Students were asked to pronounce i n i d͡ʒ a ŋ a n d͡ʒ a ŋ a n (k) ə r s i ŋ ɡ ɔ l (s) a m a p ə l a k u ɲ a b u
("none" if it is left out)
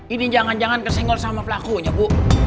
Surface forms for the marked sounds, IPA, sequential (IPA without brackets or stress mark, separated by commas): k, s